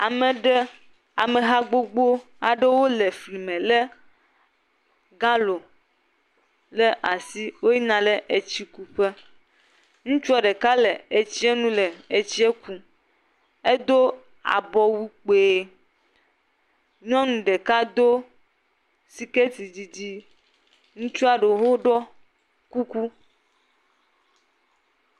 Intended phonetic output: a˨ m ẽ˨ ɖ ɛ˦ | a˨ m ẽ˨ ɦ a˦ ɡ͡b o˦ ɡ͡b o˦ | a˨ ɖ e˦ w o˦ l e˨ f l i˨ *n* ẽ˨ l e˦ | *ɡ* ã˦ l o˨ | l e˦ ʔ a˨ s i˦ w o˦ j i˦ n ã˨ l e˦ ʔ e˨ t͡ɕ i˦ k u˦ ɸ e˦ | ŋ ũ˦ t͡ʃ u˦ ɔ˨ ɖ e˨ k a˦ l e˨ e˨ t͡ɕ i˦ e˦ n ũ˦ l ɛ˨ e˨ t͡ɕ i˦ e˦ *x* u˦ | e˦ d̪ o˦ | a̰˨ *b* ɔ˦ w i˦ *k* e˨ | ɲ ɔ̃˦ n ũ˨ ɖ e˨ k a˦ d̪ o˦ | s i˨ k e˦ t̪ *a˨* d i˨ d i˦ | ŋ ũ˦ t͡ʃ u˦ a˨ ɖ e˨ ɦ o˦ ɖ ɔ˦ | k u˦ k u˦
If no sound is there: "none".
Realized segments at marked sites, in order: m, ɡ, k, b, k͡p, i˨

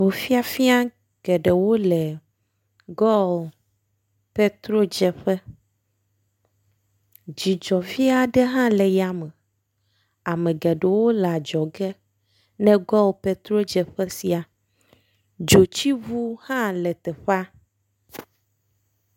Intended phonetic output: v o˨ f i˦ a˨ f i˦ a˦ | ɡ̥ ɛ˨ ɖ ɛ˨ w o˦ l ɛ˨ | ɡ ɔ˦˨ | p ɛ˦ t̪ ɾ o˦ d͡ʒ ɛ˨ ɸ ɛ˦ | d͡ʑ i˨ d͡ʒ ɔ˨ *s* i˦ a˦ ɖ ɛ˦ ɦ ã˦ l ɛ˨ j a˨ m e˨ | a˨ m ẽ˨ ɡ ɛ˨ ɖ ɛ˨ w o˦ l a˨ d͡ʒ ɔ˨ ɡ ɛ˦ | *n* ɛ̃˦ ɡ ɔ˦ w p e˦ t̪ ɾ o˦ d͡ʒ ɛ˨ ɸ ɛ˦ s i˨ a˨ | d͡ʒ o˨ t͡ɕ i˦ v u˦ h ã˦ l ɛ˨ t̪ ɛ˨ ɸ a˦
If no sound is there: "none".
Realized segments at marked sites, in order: f, n

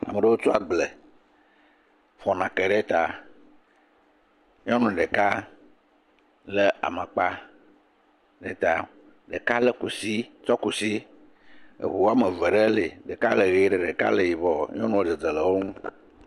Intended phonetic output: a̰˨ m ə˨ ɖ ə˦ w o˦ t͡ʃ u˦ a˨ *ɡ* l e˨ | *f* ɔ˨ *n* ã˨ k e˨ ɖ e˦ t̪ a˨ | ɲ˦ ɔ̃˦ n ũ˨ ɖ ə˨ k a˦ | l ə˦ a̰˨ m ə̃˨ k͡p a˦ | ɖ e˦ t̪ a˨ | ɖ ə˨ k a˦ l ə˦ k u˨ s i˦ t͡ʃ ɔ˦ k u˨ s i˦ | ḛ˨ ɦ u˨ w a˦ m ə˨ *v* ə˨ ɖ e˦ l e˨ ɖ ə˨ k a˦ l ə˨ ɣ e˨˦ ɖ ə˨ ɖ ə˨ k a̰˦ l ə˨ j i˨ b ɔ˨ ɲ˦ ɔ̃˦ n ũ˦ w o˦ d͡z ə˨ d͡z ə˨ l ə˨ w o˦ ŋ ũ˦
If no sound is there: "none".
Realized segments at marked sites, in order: ɡ͡b, f, n, v

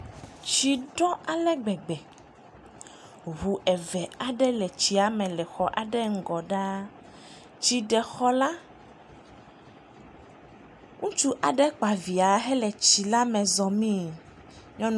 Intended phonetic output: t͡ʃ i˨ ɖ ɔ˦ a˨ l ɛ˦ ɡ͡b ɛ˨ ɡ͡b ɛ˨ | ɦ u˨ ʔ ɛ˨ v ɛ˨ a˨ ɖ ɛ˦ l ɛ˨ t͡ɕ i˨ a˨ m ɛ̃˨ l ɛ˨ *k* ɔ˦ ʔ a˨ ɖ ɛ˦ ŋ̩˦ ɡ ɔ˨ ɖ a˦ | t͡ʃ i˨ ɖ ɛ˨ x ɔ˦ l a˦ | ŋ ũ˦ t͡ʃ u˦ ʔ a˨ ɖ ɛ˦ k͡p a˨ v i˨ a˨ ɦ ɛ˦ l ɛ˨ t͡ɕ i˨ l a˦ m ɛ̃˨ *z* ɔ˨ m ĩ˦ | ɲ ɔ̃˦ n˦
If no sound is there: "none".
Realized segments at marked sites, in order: x, z

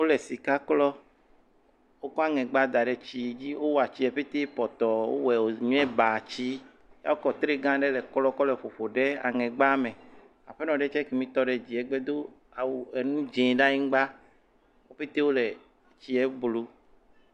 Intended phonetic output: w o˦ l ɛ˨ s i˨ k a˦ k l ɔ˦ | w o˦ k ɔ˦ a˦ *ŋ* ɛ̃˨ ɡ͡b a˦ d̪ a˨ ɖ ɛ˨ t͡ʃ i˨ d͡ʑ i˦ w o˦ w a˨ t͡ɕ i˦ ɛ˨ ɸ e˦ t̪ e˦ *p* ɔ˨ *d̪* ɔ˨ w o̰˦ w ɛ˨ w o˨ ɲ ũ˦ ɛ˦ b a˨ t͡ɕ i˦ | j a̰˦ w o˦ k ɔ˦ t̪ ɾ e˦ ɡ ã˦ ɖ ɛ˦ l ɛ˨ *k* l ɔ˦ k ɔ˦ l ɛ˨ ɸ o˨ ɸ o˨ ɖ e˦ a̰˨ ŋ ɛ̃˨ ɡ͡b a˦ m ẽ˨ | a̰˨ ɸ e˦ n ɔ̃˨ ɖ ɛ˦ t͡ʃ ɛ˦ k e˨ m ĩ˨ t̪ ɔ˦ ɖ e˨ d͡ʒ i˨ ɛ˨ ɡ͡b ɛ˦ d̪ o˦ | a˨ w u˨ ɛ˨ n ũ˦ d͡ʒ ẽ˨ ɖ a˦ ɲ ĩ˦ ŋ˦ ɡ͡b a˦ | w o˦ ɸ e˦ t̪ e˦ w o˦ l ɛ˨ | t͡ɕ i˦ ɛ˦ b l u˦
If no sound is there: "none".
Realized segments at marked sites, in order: ŋ, p, t̪, k

